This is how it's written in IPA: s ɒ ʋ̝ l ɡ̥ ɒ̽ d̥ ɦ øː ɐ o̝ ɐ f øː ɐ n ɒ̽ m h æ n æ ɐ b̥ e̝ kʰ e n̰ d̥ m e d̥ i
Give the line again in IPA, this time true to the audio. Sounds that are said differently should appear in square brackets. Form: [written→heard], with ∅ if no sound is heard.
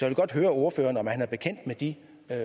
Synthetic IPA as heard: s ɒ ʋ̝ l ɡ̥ ɒ̽ d̥ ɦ øː ɐ o̝ ɐ f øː ɐ n ɒ̽ m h æ n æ ɐ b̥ e̝ kʰ e n̰ d̥ m e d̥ i